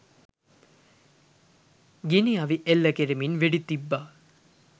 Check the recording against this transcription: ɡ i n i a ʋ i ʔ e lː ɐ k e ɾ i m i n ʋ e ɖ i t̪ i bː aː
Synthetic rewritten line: ɡ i n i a ʋ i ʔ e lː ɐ k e ɾ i m i n ʋ e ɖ i t̪ i bː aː